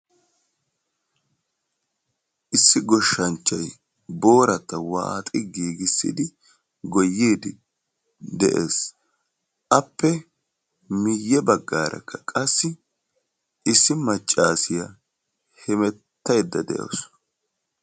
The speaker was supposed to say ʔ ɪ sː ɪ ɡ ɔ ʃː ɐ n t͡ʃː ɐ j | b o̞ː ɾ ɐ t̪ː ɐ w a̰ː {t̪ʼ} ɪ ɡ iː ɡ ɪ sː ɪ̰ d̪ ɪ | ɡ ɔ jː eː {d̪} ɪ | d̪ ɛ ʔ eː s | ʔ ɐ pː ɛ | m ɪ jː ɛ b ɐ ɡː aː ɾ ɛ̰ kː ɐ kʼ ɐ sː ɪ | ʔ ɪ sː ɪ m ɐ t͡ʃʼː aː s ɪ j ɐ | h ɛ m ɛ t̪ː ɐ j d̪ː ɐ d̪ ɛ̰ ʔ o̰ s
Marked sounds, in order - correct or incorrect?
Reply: correct, correct

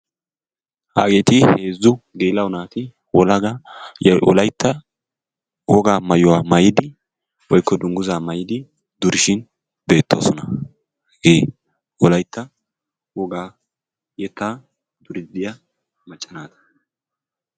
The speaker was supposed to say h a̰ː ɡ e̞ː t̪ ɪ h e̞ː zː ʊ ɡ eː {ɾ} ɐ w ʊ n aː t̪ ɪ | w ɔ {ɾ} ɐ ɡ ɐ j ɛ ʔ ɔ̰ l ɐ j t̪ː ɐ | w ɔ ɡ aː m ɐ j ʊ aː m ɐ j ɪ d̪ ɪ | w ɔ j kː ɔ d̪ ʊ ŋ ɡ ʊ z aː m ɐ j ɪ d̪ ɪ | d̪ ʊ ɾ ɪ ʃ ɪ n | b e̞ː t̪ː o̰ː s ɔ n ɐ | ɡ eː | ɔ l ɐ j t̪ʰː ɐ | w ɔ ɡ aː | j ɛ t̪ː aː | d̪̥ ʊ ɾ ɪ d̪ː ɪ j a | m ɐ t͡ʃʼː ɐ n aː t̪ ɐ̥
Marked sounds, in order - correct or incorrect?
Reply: incorrect: l, incorrect: l

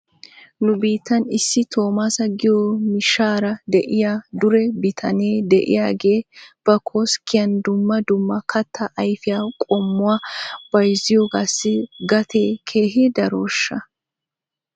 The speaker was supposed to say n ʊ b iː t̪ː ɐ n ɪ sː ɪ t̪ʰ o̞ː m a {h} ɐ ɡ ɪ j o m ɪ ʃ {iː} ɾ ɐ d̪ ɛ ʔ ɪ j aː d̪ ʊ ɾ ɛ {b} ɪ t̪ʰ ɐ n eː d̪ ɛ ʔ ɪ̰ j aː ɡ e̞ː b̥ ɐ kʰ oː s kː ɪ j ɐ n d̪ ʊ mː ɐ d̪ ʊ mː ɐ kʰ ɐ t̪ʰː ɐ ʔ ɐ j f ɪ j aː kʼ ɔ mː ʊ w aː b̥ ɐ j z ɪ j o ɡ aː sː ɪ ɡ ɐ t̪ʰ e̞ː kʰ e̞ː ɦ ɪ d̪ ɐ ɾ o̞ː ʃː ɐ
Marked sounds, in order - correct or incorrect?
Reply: incorrect: s, incorrect: aː, correct

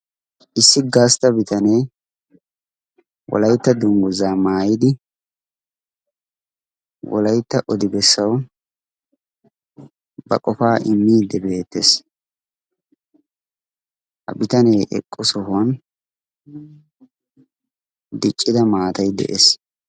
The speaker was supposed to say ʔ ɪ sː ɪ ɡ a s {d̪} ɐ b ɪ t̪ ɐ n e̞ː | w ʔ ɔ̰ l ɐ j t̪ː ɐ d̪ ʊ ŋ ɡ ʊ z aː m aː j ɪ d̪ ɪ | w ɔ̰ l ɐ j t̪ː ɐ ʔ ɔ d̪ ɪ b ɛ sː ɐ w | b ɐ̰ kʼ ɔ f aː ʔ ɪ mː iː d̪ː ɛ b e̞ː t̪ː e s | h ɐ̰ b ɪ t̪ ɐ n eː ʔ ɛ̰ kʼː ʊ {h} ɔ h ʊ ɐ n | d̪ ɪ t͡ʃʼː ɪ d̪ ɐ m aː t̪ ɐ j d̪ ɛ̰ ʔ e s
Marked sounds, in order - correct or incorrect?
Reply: incorrect: t̪, incorrect: s

